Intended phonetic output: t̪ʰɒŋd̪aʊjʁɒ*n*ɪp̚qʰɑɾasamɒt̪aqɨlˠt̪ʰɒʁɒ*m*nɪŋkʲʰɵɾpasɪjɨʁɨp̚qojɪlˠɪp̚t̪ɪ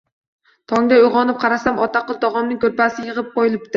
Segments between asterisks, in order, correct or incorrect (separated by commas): correct, correct